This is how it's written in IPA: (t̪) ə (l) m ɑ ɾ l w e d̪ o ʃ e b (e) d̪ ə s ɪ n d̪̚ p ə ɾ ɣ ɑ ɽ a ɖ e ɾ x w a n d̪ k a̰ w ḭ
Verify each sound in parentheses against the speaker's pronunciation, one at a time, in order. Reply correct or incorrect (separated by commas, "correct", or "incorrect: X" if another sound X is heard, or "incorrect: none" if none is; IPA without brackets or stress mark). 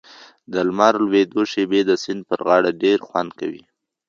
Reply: incorrect: d̪, correct, correct